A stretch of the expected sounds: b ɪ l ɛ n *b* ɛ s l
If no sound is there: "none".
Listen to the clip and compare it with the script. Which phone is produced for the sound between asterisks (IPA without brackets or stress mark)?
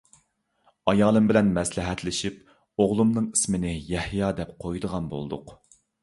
m